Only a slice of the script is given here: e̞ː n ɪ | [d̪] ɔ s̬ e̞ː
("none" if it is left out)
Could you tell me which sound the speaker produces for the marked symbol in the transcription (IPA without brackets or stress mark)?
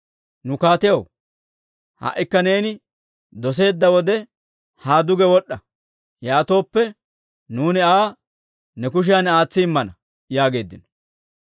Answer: d̪